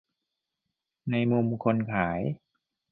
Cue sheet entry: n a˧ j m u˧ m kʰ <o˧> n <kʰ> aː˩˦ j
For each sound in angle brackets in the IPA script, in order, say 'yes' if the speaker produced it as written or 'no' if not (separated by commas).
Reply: yes, yes